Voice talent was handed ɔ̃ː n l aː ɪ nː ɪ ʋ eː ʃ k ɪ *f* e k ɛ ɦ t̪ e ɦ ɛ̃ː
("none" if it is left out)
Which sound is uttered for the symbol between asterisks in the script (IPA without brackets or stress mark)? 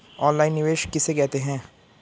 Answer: s